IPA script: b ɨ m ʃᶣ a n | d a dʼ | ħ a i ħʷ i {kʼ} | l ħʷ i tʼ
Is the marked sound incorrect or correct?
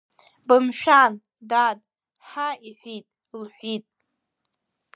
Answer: incorrect: tʼ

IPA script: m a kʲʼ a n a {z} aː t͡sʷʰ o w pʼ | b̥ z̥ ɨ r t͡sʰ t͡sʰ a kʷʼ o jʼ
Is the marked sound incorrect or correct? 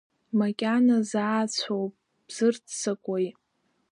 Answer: correct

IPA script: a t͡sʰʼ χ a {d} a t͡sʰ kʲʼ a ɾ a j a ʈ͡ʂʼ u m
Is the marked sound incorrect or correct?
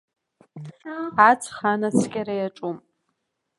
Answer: incorrect: n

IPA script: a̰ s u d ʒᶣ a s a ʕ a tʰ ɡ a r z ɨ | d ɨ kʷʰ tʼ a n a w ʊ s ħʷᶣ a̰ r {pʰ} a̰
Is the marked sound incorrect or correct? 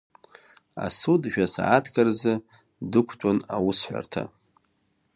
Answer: incorrect: tʰ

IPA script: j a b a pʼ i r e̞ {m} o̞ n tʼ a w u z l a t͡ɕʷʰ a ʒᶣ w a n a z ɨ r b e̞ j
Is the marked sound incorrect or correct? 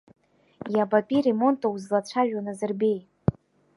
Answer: correct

